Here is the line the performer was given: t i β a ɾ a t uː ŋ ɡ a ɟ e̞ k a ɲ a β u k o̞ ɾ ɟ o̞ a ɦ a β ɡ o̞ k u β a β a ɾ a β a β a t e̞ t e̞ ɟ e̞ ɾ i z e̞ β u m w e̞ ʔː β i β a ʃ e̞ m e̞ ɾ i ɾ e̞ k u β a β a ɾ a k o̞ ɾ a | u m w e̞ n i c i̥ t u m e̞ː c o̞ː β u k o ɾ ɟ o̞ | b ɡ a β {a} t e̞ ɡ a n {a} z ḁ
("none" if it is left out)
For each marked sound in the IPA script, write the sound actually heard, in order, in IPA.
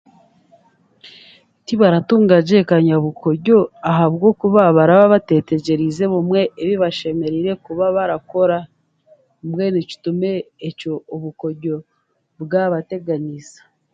a, i

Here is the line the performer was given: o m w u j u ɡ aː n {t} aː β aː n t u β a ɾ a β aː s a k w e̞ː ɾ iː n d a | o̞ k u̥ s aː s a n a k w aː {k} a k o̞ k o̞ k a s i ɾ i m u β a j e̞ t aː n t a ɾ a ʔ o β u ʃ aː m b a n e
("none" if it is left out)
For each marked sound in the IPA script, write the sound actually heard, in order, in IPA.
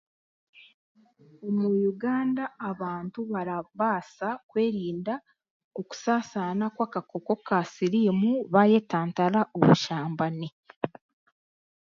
d, k

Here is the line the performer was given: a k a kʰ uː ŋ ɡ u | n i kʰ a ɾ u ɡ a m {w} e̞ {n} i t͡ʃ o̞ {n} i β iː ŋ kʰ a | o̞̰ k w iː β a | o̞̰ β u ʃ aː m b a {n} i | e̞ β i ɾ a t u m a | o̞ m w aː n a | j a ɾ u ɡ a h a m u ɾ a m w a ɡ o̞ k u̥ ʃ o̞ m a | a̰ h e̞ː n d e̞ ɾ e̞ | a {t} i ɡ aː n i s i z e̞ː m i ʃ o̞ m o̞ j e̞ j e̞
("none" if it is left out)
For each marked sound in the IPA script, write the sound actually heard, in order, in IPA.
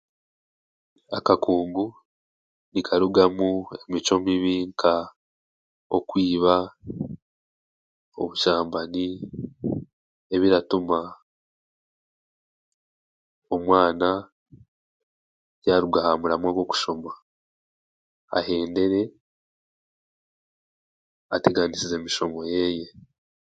u, m, m, n, t

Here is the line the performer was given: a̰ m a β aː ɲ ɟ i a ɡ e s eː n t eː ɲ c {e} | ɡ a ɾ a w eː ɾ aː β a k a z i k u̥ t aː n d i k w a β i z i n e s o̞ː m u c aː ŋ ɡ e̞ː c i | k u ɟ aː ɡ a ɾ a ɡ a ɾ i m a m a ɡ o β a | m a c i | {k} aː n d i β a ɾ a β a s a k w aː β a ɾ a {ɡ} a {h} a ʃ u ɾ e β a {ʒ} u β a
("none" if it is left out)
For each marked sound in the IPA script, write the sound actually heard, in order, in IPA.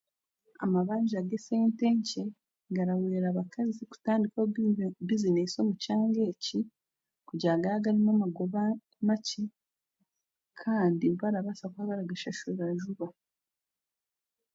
e, kʰ, ɡ, ʃ, ʒ

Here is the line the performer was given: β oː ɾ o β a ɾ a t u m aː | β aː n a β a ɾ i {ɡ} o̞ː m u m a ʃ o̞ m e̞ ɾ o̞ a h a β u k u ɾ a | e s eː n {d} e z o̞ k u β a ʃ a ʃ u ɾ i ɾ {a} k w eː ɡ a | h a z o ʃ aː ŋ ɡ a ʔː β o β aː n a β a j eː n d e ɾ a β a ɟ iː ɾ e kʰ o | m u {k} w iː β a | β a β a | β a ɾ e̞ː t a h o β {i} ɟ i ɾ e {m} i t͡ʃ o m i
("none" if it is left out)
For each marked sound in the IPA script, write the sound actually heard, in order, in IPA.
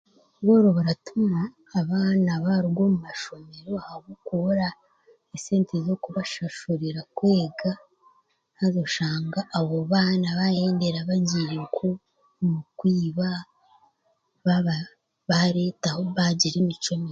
ɡ, t, a, k, a, m

